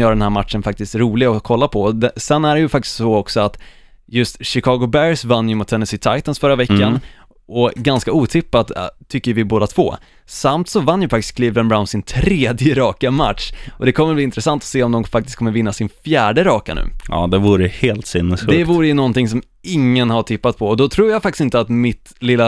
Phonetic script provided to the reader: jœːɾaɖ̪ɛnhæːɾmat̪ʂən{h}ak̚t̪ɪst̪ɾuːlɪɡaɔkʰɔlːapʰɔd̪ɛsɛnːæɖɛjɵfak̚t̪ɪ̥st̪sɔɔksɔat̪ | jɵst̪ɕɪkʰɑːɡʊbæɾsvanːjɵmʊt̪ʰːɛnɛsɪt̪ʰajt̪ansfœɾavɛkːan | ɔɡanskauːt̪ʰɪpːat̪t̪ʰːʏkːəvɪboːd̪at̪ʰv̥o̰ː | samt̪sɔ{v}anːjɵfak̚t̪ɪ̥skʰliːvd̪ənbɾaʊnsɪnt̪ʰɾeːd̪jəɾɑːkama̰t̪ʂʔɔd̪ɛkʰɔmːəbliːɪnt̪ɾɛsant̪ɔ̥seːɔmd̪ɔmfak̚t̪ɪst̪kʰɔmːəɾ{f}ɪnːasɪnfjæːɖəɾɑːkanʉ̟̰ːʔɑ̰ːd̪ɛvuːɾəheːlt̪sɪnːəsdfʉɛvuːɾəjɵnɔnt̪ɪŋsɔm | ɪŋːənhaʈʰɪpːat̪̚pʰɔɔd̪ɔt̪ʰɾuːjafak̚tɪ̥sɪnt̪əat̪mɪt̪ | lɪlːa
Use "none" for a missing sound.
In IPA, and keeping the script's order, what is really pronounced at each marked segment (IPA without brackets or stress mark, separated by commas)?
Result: f, v, v